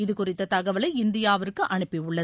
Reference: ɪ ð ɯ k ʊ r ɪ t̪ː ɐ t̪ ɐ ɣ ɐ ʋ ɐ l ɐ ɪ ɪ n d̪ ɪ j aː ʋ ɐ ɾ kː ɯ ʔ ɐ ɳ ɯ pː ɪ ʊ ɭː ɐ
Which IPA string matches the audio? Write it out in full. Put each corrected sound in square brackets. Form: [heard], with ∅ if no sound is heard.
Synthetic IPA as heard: ɪ ð ɯ k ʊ r ɪ t̪ː ɐ t̪ ɐ ɣ ɐ ʋ ɐ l ɐ ɪ ɪ n d̪ ɪ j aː ʋ ɐ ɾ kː ɯ ʔ ɐ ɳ ɯ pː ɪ ʊ ɭː ɐ